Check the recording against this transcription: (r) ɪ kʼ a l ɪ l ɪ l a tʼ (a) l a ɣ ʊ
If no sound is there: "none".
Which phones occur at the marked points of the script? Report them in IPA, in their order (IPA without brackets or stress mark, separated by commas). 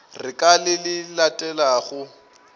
r, ɛ